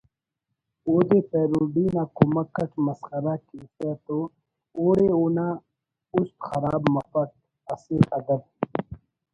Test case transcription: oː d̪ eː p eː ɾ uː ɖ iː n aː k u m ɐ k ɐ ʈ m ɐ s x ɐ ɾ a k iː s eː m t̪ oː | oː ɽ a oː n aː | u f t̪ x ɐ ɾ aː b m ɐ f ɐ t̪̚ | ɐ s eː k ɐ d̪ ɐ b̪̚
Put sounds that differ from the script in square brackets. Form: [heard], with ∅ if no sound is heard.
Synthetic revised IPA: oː d̪ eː p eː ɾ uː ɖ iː n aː k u m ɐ k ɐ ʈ m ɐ s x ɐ ɾ a k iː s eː [∅] t̪ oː | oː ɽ [e] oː n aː | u [s] t̪ x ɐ ɾ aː b m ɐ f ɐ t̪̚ | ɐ s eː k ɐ d̪ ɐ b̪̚